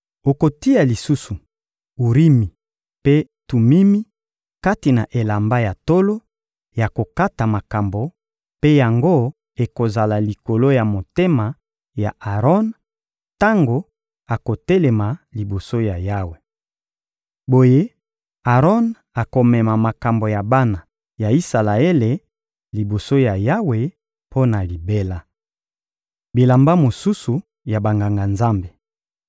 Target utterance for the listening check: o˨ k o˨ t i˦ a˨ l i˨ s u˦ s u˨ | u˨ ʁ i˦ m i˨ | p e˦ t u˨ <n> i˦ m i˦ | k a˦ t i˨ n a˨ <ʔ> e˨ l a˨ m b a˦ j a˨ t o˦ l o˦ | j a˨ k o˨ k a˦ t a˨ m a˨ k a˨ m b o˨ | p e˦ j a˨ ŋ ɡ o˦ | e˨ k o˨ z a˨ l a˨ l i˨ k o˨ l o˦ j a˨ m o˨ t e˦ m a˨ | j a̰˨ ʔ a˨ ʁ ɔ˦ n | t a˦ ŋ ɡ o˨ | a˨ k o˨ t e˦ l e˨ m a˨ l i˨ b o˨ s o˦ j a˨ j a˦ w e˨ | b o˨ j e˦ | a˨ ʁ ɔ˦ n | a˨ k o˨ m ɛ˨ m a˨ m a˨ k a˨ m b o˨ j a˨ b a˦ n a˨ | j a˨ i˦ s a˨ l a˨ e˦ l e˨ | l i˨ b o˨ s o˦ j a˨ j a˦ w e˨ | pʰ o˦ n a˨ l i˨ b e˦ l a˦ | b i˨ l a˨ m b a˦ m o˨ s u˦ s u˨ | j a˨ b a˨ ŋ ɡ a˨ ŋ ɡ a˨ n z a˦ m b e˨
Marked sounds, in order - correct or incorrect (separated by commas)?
incorrect, correct